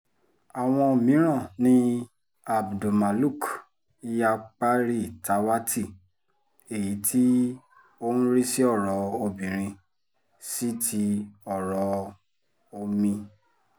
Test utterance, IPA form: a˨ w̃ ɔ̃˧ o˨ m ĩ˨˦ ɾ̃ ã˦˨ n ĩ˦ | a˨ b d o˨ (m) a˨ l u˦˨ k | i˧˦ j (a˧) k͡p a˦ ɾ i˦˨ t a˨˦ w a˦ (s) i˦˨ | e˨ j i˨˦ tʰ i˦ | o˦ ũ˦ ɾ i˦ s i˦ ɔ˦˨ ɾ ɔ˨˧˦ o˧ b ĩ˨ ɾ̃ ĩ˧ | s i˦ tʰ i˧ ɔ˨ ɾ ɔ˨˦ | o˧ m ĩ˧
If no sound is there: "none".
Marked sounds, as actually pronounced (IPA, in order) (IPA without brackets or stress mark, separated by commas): m, a˧, t